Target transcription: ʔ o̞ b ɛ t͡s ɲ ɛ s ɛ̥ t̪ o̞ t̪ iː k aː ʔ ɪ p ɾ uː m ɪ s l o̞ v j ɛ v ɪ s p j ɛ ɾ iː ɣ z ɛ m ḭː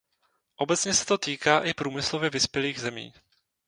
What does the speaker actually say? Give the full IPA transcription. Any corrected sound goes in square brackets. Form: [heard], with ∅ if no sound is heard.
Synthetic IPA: ʔ o̞ b ɛ t͡s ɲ ɛ s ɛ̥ t̪ o̞ t̪ iː k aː ʔ ɪ p ɾ uː m ɪ s l o̞ v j ɛ v ɪ s p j ɛ [l] iː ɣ z ɛ m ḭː